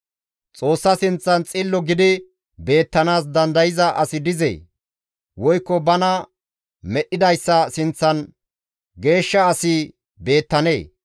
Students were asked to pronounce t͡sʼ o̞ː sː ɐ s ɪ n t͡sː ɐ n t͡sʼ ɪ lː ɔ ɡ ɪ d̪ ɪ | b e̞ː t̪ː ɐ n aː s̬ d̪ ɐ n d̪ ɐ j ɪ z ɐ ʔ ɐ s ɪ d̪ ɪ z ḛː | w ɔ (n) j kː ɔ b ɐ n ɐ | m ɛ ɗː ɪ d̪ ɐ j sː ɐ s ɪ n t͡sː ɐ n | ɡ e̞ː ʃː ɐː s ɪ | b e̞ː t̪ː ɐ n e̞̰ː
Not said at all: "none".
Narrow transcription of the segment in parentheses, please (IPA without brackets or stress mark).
none